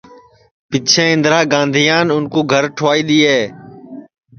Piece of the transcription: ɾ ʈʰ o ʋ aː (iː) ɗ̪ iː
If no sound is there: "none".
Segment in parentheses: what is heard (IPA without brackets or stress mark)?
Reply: iː